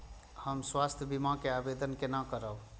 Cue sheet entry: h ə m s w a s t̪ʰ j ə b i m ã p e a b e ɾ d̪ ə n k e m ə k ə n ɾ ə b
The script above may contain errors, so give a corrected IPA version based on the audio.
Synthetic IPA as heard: h ə m s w a s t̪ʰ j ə b i m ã k e a b e d̪ ə n k e n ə k ə ɾ ə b